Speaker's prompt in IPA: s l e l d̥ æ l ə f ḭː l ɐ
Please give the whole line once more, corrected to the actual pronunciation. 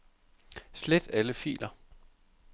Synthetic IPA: s l e d̥ æ l ə f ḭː l ɐ